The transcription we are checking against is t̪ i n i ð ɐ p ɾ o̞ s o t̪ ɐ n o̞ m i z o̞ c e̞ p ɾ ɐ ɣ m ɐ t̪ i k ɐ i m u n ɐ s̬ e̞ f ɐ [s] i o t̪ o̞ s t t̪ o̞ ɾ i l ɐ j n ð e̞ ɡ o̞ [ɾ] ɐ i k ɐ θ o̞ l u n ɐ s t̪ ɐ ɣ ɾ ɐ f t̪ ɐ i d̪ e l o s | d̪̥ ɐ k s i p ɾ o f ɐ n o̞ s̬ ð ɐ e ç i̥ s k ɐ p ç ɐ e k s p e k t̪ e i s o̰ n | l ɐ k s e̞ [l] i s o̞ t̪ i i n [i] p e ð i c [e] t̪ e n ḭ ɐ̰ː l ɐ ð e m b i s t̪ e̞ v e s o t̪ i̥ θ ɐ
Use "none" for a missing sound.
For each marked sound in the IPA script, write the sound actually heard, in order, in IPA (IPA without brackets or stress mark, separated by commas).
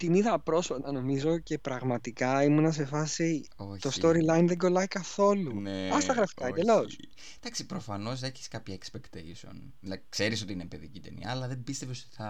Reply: s, l, ɾ, e, i